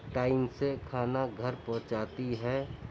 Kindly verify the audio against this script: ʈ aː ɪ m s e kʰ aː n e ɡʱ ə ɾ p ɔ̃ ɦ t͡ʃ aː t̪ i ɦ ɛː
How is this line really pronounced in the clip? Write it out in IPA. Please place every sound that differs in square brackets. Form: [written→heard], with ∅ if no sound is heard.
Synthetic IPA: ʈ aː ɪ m s e kʰ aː n [e→a] ɡʱ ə ɾ p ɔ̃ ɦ t͡ʃ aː t̪ i ɦ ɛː